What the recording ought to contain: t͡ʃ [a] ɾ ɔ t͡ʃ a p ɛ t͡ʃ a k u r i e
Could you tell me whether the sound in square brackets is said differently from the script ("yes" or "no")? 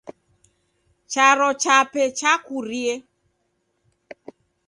no